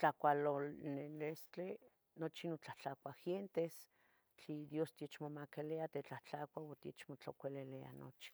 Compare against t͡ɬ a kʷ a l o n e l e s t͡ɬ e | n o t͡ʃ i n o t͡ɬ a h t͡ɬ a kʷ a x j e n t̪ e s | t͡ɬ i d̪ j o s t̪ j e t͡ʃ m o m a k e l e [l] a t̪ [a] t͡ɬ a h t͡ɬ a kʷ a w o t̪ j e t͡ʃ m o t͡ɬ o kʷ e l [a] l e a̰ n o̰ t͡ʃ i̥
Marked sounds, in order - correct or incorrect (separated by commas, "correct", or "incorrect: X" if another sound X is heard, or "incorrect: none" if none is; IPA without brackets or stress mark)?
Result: incorrect: none, incorrect: e, incorrect: e